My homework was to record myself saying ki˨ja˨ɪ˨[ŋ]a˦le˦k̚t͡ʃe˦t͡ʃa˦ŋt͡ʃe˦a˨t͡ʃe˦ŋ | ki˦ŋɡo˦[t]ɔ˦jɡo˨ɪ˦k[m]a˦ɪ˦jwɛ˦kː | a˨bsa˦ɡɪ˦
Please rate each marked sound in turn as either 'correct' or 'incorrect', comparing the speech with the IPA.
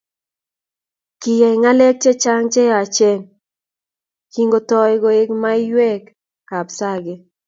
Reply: correct, correct, correct

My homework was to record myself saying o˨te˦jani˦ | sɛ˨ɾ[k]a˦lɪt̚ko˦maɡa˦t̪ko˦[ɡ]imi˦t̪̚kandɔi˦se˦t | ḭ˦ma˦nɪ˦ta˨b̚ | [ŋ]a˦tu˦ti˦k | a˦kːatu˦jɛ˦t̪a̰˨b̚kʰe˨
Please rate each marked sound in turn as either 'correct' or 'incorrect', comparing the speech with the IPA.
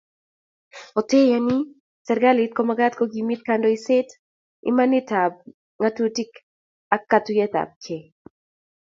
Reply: incorrect: ɡ, correct, correct

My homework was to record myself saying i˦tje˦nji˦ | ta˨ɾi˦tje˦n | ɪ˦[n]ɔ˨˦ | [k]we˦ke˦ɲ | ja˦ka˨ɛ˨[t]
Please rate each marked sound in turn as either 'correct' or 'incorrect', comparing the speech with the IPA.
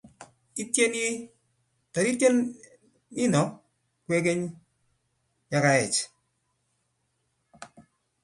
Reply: correct, correct, incorrect: t͡ʃ

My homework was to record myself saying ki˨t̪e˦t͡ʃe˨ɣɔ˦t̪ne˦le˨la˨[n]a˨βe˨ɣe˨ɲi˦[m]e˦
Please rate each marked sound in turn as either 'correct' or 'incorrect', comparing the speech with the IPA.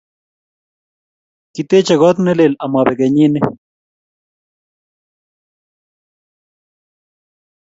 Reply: incorrect: m, incorrect: n

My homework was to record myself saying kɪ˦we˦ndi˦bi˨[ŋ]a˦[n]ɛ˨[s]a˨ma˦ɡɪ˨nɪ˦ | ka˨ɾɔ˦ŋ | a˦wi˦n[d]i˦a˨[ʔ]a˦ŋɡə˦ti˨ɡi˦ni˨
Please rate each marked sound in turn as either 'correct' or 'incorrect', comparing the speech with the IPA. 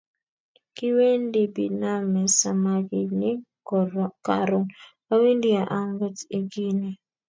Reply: incorrect: n, incorrect: m, correct, correct, correct

